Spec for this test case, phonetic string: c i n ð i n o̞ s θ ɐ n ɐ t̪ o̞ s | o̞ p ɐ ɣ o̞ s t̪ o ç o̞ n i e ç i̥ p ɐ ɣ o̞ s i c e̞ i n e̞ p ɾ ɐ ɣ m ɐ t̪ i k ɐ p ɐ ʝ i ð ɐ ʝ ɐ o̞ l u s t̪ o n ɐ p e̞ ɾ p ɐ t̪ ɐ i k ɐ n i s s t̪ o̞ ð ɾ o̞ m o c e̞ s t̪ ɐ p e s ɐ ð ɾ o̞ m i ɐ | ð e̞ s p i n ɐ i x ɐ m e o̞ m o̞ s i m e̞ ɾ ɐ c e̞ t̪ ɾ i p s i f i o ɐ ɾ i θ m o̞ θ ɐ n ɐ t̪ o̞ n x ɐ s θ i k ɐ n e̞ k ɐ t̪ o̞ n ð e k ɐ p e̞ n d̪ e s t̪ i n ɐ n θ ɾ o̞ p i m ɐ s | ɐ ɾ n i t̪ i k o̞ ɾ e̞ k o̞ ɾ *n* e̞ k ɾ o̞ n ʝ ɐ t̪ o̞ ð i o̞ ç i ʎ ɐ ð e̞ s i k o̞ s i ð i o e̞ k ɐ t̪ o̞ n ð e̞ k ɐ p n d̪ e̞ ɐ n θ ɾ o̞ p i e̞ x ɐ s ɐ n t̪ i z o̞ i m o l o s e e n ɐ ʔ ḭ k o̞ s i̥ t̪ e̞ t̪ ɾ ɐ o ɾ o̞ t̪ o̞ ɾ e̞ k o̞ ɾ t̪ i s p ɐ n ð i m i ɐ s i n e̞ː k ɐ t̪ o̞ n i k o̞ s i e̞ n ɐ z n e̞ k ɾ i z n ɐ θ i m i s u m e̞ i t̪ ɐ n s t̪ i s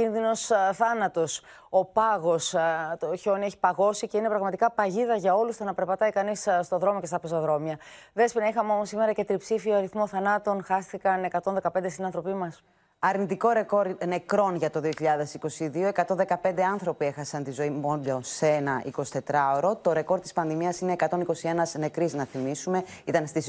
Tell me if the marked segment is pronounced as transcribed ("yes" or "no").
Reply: yes